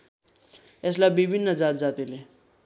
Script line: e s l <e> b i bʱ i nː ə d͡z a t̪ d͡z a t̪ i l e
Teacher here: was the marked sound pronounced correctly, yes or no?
no